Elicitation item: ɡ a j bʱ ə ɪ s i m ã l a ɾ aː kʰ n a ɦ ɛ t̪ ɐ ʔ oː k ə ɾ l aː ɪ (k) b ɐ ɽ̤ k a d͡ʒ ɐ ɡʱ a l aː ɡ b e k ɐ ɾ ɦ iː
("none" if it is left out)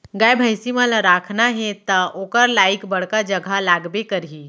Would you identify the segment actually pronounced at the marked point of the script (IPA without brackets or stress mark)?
k